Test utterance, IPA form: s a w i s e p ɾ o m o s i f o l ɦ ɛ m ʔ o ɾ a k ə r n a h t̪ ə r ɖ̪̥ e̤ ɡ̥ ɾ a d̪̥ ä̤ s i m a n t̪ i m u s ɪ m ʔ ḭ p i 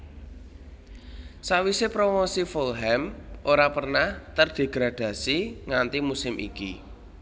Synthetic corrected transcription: s a w i s e p ɾ o m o s i f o l ɦ ɛ m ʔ o ɾ a p ə r n a h t̪ ə r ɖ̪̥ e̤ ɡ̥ ɾ a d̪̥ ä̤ s i ŋ a n t̪ i m u s ɪ m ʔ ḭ k i